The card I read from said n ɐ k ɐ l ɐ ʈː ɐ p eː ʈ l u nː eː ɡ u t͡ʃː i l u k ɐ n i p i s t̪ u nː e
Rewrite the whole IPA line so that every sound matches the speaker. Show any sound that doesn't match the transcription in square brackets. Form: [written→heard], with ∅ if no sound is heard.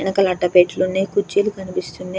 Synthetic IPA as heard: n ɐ k ɐ l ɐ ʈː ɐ p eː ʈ l u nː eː [ɡ→k] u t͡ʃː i l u k ɐ n i p i s t̪ u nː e